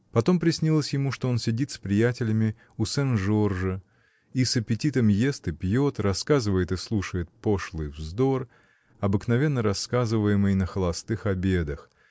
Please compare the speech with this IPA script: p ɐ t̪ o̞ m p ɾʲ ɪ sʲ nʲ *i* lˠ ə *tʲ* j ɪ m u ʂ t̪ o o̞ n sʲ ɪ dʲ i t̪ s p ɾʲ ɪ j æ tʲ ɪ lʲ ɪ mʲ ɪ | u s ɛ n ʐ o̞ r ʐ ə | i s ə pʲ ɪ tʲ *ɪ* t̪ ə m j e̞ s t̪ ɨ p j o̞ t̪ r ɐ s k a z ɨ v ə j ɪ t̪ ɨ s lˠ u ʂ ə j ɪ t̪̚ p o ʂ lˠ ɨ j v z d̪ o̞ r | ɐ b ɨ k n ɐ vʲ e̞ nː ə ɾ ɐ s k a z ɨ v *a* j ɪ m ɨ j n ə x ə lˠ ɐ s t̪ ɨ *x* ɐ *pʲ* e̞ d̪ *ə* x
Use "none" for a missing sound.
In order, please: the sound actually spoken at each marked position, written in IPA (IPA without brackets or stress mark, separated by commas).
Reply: i, sʲ, i, ə, x, bʲ, ə